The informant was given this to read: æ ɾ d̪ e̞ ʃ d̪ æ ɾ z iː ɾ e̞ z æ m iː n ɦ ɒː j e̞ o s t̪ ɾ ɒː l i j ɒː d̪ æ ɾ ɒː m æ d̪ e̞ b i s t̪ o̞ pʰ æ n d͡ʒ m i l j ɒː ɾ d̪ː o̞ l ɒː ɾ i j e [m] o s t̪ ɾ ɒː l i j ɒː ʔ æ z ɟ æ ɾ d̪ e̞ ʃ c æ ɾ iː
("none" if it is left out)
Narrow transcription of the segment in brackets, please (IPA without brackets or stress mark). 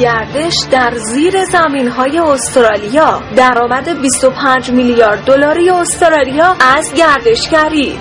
none